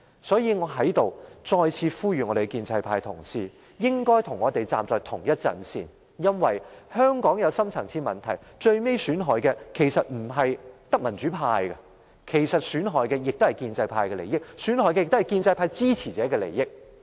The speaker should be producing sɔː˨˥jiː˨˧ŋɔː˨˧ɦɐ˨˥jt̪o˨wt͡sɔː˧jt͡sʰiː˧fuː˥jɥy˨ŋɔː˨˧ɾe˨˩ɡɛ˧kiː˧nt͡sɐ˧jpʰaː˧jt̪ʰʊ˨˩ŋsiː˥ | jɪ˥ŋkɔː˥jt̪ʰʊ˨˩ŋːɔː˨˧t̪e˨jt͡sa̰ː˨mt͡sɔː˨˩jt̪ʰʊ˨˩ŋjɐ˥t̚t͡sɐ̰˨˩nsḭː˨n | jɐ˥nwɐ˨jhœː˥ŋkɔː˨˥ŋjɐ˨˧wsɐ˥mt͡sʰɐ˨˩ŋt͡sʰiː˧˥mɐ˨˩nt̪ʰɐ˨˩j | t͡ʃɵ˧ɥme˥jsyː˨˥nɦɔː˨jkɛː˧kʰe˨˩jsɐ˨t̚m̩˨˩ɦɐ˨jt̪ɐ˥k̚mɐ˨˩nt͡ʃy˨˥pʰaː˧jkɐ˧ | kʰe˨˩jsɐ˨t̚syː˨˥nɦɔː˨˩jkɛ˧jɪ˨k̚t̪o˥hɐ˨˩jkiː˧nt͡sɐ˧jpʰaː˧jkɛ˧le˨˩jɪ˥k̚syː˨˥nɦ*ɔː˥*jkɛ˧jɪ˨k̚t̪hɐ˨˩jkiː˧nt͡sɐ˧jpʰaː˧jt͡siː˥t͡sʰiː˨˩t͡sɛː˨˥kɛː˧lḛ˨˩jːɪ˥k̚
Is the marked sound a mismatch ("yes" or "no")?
yes